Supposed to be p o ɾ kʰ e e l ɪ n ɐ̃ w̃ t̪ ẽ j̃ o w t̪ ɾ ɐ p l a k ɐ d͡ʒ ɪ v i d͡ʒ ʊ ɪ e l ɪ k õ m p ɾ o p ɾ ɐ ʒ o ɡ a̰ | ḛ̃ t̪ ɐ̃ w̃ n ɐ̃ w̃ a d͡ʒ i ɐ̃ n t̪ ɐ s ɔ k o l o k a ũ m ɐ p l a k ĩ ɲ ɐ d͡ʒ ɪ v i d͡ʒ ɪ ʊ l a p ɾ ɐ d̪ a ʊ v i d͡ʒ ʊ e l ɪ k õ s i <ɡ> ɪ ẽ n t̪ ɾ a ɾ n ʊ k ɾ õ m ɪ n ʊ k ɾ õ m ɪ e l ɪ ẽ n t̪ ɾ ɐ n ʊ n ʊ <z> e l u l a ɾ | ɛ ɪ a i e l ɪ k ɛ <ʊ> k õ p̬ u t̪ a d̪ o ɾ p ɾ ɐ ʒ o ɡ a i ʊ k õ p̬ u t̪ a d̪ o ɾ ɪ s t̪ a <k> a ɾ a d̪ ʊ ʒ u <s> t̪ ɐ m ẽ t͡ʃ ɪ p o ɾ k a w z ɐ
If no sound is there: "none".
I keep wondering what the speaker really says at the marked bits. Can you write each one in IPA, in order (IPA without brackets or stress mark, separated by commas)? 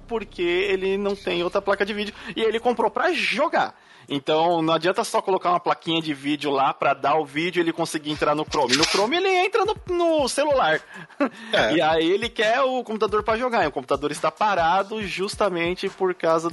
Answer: ɡ, s, ʊ, p, s